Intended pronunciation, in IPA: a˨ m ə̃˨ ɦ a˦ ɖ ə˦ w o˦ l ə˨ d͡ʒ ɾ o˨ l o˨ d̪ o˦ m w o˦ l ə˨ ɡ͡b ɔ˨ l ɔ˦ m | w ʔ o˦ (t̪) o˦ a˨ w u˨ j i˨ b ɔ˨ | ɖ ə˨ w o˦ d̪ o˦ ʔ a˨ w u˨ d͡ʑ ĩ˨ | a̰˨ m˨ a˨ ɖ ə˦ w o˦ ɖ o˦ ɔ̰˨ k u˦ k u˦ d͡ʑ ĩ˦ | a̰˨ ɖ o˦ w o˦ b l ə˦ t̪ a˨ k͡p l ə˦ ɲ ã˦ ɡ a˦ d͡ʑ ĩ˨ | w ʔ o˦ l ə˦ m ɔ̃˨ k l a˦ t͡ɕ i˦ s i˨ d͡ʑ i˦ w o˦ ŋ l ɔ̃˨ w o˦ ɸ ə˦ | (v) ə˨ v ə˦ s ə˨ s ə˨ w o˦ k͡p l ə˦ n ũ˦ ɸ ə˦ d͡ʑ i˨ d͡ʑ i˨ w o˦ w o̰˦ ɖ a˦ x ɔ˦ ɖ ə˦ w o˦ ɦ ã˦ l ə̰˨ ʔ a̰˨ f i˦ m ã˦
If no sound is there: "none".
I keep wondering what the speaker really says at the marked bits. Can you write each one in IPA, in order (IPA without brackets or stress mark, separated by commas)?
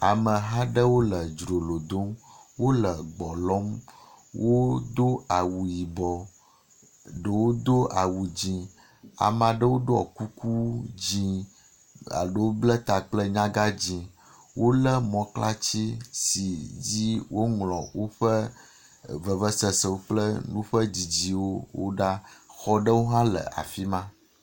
d̪, v